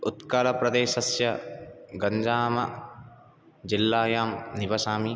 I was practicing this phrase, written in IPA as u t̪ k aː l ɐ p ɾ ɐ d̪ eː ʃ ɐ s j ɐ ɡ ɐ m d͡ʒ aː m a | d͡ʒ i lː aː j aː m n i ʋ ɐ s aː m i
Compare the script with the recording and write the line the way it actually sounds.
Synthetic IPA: u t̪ k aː l ɐ p ɾ ɐ d̪ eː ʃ ɐ s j ɐ ɡ ɐ ɲ d͡ʒ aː m ɐ | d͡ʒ i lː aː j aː m n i ʋ ɐ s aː m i